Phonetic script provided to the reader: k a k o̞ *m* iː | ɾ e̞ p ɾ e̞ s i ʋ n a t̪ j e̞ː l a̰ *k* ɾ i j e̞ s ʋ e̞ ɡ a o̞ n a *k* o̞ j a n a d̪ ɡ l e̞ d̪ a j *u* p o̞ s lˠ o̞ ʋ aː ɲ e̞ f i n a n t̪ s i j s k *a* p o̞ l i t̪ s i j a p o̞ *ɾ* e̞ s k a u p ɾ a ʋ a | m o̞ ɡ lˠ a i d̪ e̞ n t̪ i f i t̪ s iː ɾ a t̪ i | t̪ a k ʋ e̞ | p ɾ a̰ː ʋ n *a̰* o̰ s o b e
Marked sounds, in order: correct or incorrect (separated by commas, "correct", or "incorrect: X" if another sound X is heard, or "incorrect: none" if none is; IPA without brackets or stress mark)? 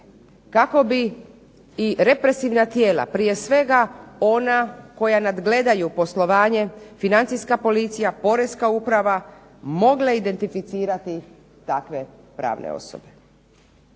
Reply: incorrect: b, incorrect: p, correct, correct, correct, correct, incorrect: ḛ